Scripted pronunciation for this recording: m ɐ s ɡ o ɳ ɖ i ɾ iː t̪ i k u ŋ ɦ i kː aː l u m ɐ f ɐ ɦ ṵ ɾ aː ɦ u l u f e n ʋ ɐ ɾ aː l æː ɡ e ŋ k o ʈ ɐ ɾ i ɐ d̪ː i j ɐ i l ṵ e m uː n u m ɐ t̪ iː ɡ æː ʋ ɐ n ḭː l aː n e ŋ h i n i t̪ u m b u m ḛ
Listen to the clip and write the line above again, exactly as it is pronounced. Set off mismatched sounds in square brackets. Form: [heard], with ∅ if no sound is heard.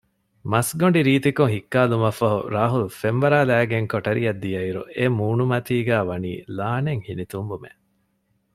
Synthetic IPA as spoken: m ɐ s ɡ o ɳ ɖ i ɾ iː t̪ i k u ŋ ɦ i kː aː l u m ɐ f ɐ ɦ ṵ ɾ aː ɦ u l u f e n ʋ ɐ ɾ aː l æː ɡ e ŋ k o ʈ ɐ ɾ i ɐ d̪ː i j ɐ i [ɾ] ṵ e m uː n u m ɐ t̪ iː ɡ æː ʋ ɐ n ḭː l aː n e ŋ h i n i t̪ u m b u m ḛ